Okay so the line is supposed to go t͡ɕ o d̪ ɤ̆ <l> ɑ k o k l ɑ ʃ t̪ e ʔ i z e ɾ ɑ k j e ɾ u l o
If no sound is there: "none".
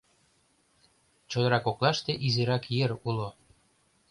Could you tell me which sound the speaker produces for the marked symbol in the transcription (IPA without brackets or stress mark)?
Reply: ɾ